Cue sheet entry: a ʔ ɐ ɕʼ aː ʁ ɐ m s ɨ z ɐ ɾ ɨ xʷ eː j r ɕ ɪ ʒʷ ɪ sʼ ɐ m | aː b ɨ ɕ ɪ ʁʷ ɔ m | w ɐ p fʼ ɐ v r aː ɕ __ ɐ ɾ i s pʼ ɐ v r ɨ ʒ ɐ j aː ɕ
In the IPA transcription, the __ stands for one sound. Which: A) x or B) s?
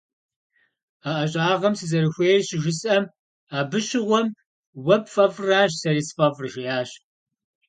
B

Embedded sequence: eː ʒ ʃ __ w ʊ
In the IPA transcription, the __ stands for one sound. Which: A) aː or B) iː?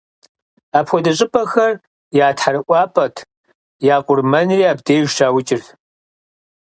A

